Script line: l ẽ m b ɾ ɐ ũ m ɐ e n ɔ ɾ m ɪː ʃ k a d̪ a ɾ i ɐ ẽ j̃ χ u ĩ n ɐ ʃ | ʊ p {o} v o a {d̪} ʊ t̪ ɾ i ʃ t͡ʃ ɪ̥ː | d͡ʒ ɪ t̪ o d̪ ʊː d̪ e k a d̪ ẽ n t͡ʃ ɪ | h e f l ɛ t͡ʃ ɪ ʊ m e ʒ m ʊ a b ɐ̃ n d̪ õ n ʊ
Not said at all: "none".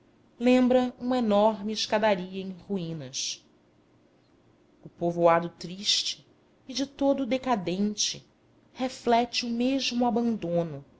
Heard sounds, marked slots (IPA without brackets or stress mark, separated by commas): o, d̪